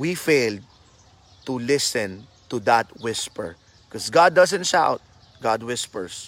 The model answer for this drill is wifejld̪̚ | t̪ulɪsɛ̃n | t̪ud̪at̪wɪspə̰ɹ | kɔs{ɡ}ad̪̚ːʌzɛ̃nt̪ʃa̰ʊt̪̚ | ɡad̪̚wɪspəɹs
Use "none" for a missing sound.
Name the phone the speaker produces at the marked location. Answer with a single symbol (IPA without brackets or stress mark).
ɡ